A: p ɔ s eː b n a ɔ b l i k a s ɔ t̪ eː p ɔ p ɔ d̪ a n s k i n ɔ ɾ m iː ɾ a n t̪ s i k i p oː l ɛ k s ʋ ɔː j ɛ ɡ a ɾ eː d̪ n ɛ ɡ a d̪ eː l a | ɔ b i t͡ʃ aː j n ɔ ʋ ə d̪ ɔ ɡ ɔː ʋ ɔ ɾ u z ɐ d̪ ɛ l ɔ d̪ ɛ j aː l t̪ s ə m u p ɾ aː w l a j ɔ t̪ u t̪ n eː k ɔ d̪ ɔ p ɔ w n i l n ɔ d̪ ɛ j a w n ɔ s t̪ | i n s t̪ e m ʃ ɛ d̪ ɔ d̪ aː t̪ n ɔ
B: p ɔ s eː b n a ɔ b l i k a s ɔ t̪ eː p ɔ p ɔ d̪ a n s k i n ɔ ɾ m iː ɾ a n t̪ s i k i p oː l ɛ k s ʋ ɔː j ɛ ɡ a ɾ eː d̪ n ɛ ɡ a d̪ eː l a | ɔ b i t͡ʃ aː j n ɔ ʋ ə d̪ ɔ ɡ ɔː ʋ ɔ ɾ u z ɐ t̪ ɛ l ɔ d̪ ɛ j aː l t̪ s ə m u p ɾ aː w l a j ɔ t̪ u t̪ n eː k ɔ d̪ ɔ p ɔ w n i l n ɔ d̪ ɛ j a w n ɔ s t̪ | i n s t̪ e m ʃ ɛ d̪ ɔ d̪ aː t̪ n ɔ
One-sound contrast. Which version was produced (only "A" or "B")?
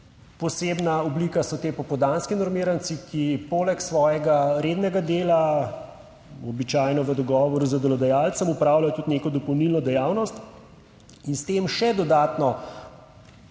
A